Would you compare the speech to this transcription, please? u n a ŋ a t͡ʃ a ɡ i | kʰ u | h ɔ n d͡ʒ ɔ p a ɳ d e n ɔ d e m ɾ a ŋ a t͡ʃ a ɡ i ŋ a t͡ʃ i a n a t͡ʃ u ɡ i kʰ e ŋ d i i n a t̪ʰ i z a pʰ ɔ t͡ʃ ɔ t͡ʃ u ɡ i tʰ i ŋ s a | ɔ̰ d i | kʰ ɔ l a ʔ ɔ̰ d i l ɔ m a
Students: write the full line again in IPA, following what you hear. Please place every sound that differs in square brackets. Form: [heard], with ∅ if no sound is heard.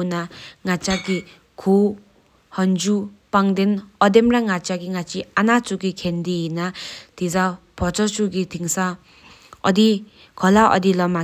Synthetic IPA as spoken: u n a ŋ a t͡ʃ a ɡ i | kʰ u | h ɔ n d͡ʒ [u] p a [ŋ] d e n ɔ d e m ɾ a ŋ a t͡ʃ a ɡ i ŋ a t͡ʃ i a n a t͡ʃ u ɡ i kʰ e [n] d i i n a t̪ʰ i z a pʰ ɔ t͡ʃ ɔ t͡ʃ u ɡ i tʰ i ŋ s a | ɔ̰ d i | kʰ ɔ l a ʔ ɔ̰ d i l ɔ m a